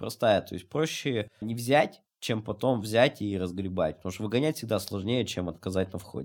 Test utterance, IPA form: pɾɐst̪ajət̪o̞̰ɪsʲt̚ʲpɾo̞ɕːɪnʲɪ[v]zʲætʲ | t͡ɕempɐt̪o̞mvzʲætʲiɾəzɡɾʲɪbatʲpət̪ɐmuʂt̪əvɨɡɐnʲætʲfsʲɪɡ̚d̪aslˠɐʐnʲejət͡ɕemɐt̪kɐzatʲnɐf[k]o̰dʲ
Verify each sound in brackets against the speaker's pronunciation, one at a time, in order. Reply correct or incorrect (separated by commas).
correct, incorrect